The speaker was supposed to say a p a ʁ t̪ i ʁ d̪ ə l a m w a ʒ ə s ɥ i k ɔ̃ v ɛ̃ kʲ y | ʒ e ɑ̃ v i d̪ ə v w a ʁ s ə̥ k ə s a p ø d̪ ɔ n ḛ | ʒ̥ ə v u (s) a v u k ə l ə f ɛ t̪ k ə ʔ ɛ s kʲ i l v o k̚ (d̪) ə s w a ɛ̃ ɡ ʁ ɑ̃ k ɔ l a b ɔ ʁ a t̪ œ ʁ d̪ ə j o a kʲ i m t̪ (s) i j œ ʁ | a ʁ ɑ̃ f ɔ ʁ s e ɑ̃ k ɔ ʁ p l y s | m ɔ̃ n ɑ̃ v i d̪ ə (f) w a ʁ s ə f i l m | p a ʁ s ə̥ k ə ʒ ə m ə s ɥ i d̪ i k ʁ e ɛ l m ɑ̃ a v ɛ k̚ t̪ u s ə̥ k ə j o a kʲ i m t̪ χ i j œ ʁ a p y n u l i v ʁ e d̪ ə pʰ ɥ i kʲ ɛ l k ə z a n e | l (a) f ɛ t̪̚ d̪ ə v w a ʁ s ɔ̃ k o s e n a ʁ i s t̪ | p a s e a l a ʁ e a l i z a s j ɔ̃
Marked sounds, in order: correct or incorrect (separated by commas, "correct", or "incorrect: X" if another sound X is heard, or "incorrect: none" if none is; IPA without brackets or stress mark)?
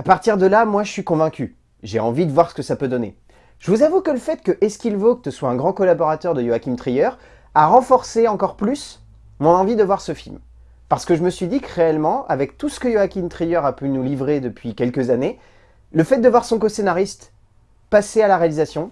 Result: incorrect: z, incorrect: t̪, incorrect: χ, incorrect: v, incorrect: ə